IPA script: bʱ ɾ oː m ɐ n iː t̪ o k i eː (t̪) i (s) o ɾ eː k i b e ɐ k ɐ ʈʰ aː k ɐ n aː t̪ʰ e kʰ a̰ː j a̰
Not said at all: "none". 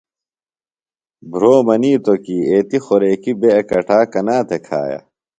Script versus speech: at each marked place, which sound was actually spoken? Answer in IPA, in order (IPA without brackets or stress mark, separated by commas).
t̪, x